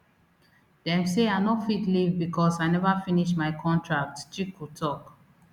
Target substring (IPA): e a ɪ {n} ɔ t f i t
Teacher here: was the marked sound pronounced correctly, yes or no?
yes